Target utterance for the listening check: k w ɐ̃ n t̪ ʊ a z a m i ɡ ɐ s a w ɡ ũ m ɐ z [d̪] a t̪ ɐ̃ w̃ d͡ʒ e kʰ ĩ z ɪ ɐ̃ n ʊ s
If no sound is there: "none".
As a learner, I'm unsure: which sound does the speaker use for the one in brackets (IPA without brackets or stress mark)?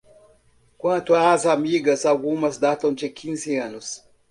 d̪